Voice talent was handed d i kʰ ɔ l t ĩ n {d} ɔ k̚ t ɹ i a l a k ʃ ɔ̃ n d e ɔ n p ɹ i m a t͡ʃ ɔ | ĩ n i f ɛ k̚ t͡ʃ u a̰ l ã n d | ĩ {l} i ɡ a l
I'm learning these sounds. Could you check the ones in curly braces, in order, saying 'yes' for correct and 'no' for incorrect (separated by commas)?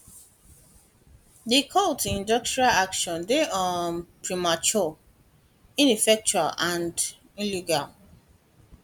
yes, yes